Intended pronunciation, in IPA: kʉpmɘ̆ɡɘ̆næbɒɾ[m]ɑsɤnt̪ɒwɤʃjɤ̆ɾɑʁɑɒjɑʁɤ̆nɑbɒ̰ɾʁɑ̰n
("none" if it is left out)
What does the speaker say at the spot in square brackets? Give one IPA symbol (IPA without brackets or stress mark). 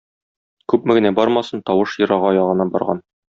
m